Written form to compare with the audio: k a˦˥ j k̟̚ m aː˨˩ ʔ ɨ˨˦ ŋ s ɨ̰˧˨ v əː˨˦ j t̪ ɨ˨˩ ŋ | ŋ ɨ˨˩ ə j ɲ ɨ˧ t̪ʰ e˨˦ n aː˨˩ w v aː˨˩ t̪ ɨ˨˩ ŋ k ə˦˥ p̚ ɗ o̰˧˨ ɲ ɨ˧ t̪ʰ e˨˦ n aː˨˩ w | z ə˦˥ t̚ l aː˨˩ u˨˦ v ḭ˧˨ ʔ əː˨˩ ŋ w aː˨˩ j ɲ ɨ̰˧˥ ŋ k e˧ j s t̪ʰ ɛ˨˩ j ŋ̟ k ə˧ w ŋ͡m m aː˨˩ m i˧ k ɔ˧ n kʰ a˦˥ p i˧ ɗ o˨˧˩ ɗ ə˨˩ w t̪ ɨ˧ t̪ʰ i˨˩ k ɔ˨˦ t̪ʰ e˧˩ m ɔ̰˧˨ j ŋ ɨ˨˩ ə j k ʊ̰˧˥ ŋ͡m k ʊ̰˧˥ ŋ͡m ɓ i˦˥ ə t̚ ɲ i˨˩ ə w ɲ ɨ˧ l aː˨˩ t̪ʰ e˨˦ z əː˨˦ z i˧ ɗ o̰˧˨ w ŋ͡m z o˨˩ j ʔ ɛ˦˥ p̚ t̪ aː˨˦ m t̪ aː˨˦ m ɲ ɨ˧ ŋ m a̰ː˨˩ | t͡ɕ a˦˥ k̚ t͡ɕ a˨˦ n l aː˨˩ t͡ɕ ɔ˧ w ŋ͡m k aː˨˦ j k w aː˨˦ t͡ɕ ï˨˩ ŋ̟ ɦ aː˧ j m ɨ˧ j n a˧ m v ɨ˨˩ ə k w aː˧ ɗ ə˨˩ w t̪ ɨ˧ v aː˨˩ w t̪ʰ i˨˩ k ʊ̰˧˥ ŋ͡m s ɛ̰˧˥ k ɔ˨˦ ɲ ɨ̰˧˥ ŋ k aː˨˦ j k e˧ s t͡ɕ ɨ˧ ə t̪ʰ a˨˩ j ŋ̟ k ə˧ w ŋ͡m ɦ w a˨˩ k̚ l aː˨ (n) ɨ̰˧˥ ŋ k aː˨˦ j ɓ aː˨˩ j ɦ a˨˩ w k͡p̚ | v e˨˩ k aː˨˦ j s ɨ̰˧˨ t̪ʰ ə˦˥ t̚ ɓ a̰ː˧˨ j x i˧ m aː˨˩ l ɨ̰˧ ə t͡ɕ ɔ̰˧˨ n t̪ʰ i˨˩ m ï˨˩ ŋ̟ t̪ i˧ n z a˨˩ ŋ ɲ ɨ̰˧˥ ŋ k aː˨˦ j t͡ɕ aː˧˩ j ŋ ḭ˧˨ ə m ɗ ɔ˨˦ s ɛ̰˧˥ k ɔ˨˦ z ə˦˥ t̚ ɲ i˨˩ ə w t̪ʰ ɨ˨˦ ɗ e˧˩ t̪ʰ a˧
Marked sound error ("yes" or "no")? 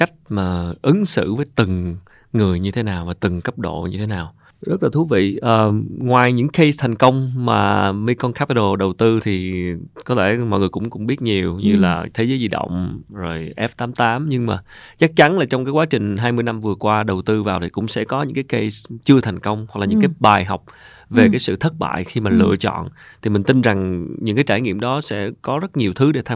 yes